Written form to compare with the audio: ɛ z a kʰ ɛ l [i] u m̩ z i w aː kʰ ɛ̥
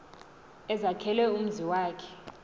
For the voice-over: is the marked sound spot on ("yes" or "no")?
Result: no